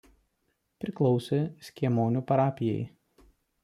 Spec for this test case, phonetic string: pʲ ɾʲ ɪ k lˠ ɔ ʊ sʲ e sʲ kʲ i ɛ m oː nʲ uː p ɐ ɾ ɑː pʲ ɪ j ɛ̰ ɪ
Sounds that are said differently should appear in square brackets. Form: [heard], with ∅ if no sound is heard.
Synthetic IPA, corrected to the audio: pʲ ɾʲ ɪ k lˠ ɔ ʊ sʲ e sʲ kʲ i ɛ m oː nʲ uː p ɐ ɾ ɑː pʲ ɪ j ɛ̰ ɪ